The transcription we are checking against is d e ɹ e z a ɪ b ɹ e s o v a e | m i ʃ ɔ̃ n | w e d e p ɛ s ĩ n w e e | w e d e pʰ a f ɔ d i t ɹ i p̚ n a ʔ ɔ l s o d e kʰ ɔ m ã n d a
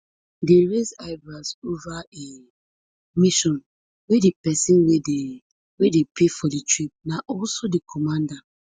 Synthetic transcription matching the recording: d e ɹ e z a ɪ b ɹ a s o v a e | m i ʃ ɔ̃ n | w e d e p ɛ s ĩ n w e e | w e d e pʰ e f ɔ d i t ɹ i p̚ n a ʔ ɔ l s o d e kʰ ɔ m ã n d a